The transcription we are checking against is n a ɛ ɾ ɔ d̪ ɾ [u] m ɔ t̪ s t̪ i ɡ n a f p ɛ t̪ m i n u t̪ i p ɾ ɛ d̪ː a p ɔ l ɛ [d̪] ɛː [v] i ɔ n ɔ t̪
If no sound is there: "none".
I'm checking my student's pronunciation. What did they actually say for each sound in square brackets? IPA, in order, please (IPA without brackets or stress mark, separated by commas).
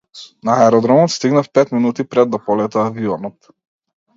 ɔ, t̪, v